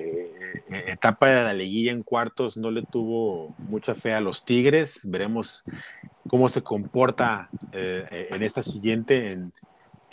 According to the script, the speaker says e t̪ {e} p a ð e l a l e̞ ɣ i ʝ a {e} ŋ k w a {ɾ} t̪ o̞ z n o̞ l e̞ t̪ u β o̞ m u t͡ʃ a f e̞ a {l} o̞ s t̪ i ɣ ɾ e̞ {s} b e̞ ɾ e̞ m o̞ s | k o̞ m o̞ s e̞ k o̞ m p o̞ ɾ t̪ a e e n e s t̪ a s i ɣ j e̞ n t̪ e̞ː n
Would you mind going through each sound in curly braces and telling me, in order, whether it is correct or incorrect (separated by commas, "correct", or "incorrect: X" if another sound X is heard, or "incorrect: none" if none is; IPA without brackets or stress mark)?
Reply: incorrect: a, correct, correct, correct, correct